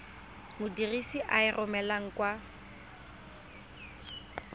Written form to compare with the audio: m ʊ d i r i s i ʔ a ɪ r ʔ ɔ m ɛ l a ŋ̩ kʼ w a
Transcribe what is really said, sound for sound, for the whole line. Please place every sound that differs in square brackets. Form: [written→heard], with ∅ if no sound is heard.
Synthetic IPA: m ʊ d i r i s i ʔ a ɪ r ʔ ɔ m ɛ l a ŋ̩ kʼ w a

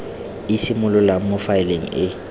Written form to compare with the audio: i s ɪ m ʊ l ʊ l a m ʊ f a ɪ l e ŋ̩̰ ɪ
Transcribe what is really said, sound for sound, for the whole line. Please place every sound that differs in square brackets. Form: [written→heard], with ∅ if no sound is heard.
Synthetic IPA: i s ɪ m ʊ l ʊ l a m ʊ f a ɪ l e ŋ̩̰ ɪ

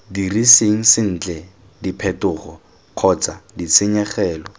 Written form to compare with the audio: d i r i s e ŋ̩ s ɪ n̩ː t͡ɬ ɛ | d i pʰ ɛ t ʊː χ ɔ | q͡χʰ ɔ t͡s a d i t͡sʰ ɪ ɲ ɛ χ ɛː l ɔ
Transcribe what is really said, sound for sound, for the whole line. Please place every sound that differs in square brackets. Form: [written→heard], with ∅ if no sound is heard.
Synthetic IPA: d i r i s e ŋ̩ s ɪ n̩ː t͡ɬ ɛ | d i pʰ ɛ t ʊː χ ɔ | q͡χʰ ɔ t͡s a d i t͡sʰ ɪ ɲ ɛ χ ɛː l ɔ

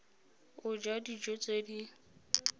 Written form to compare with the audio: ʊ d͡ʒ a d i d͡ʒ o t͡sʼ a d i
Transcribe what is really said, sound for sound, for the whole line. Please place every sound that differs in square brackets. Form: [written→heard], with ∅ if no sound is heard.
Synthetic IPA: ʊ d͡ʒ a d i d͡ʒ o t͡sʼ [a→e] d i

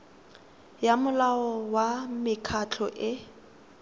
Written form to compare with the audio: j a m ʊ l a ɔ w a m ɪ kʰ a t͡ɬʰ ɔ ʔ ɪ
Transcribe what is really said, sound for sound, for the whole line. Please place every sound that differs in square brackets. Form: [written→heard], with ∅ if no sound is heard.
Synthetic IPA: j a m ʊ l a ɔ w a m ɪ kʰ a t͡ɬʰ ɔ ʔ ɪ

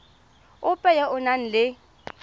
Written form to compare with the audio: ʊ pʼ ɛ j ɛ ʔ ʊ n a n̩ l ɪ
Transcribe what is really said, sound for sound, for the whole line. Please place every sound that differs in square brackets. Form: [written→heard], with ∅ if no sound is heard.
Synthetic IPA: ʊ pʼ ɛ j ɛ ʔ ʊ n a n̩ l ɪ

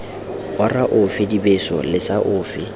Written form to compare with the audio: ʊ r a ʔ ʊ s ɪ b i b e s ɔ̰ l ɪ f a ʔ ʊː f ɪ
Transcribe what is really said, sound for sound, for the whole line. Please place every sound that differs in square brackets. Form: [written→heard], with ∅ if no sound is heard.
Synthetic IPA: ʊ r a ʔ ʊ [s→f] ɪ [b→d] i b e s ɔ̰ l ɪ [f→s] a ʔ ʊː f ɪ

